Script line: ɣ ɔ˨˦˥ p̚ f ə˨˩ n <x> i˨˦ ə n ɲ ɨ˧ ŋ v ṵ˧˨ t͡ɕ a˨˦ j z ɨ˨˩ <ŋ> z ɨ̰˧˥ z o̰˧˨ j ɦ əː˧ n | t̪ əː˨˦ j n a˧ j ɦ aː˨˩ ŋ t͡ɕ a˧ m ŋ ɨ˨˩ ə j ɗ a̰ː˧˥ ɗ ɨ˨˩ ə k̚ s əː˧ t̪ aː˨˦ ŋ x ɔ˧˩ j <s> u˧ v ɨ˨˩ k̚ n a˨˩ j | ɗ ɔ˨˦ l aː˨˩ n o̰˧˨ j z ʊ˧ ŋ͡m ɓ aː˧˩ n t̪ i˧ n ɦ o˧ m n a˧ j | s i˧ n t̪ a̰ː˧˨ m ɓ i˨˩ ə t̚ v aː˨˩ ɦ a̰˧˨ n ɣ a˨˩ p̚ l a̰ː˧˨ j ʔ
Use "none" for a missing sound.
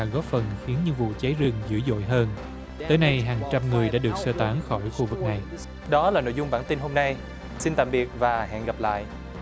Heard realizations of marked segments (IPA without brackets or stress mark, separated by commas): x, ŋ, x